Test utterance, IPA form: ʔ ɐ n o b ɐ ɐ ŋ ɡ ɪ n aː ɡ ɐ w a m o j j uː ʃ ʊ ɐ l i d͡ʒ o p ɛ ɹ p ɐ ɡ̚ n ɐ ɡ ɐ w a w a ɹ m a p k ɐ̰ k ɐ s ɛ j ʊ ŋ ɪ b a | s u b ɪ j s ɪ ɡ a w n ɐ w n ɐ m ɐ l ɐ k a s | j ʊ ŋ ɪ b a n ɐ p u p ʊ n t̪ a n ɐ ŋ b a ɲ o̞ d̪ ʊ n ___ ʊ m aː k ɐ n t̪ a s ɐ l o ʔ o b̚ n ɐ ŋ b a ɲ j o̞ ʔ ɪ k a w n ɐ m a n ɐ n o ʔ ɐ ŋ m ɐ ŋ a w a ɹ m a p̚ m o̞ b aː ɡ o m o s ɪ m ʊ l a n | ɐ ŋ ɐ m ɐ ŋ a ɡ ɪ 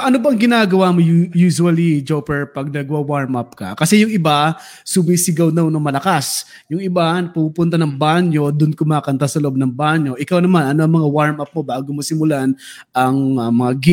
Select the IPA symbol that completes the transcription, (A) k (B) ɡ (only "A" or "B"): A